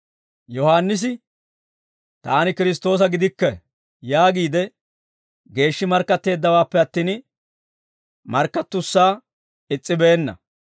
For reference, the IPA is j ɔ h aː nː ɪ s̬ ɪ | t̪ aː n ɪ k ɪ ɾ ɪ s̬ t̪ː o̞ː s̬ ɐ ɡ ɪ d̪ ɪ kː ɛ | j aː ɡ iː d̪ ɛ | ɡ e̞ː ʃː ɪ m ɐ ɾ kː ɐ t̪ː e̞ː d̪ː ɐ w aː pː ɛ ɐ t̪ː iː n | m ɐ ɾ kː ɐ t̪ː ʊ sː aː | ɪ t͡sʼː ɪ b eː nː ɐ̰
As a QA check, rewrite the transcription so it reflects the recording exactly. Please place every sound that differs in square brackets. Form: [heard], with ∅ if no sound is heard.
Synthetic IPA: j ɔ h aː nː ɪ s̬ ɪ | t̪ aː n ɪ k ɪ ɾ ɪ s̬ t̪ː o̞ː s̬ ɐ ɡ ɪ d̪ ɪ kː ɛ | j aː ɡ iː d̪ ɛ | ɡ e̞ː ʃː ɪ m ɐ ɾ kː ɐ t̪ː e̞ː d̪ː ɐ w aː pː ɛ ɐ t̪ː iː n | m ɐ ɾ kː ɐ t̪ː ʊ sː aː | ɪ t͡sʼː ɪ b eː nː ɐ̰